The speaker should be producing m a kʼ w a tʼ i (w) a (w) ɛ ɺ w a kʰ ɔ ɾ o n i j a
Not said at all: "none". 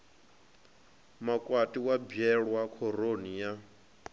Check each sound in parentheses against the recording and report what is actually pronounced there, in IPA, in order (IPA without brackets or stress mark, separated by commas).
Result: w, b